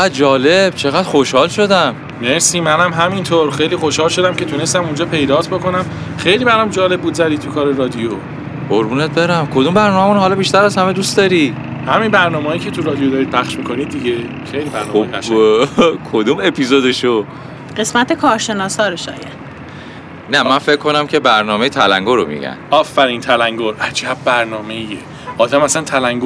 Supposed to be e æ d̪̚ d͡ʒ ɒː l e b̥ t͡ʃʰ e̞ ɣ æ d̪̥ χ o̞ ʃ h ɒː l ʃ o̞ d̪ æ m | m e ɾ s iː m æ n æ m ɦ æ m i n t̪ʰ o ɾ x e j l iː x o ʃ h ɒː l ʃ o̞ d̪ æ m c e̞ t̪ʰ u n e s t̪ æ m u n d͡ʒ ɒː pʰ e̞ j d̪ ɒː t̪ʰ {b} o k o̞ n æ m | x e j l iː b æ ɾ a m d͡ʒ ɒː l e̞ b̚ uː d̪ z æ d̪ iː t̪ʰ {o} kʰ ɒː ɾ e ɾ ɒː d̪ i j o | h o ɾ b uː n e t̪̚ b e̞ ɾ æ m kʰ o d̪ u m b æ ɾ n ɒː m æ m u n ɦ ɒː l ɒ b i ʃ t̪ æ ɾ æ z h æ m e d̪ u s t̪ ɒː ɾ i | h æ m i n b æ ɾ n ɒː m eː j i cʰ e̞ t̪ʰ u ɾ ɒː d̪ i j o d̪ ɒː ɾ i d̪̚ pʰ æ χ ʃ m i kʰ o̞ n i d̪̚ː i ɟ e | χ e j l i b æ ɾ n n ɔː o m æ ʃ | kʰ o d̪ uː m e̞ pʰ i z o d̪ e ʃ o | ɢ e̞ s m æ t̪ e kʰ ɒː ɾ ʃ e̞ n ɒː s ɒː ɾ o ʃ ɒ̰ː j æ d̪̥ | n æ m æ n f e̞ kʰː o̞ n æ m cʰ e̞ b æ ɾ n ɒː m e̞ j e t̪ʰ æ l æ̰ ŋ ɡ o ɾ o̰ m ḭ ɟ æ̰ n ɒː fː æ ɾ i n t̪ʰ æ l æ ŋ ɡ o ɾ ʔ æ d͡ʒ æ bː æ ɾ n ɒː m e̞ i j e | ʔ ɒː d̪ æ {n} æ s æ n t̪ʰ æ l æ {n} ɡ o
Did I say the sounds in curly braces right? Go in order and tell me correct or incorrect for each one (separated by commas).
correct, incorrect, incorrect, incorrect